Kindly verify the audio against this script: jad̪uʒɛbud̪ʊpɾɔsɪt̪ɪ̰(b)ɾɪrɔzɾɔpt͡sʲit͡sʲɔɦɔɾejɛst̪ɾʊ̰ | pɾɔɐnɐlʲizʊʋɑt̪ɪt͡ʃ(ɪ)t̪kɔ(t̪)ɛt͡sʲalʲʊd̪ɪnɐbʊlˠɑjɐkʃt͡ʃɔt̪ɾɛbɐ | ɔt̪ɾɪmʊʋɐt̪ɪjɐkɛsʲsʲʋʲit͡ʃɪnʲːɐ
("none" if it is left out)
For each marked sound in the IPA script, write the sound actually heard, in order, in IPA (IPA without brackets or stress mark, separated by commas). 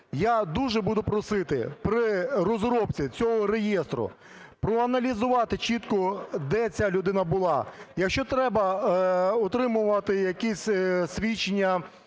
p, i, d̪